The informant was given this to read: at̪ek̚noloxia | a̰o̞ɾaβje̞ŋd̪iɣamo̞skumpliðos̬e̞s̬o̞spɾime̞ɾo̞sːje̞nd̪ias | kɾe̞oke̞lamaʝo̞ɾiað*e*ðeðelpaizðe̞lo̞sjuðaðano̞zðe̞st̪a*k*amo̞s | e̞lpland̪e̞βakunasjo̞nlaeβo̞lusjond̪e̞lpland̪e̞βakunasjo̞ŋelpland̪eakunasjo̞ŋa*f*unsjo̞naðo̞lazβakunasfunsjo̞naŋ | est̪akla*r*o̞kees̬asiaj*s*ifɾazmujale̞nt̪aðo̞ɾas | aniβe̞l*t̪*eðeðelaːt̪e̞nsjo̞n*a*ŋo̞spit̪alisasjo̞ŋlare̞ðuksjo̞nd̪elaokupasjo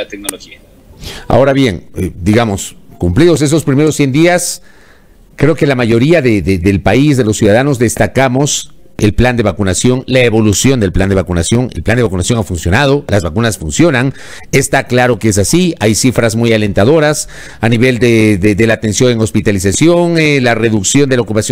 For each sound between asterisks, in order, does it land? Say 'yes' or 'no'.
yes, yes, yes, no, yes, no, no

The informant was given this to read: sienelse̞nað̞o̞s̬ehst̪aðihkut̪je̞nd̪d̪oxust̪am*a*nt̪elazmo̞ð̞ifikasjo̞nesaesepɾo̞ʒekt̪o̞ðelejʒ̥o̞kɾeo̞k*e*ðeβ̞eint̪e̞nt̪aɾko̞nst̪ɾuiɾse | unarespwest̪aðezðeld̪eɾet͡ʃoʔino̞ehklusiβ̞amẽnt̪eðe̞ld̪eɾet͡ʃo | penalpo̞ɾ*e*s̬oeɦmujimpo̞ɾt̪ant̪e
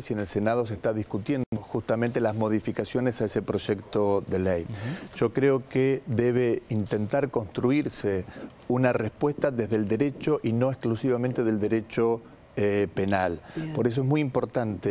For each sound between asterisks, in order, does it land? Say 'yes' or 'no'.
no, yes, yes

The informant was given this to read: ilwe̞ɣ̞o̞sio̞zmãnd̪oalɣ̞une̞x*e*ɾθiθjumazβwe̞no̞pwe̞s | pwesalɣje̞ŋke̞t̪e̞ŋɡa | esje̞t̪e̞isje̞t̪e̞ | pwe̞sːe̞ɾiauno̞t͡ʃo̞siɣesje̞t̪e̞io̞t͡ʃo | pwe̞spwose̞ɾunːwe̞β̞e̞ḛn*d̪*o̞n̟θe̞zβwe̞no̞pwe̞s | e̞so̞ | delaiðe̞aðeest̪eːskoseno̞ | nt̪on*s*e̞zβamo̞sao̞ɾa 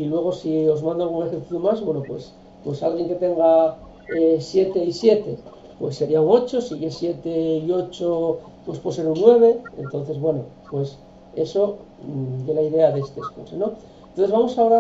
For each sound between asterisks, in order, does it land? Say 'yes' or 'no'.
yes, no, no

